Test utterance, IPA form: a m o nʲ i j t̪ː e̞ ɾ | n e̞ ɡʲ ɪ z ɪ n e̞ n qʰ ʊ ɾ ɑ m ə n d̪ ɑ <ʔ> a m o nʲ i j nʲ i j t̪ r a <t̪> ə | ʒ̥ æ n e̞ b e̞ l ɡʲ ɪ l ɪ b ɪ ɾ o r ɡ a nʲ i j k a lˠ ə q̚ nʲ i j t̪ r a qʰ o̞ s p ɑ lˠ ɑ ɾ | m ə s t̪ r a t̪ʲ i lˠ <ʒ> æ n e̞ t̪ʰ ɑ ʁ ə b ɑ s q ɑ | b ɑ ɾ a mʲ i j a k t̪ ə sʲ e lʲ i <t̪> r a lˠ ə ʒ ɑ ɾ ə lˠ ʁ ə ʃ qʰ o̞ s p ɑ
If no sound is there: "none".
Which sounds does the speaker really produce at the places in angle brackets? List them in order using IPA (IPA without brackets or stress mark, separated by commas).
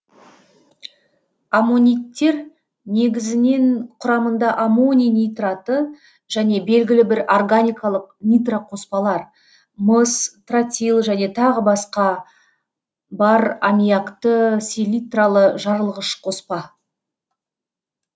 ʔ, t̪, ʒ, t̪